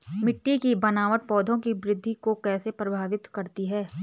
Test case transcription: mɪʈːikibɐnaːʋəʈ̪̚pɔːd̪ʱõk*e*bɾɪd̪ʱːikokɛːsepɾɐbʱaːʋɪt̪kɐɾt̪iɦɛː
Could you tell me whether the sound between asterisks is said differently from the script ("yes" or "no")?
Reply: yes